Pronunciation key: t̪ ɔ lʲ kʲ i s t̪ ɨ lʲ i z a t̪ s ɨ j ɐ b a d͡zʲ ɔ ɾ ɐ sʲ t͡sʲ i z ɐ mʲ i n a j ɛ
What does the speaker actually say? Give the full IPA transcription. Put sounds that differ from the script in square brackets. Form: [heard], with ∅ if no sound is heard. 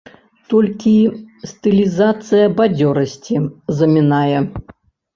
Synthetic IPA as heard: t̪ ɔ lʲ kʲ i s t̪ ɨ lʲ i z a t̪ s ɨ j ɐ b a d͡zʲ ɔ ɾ ɐ sʲ t͡sʲ i z ɐ mʲ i n a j ɛ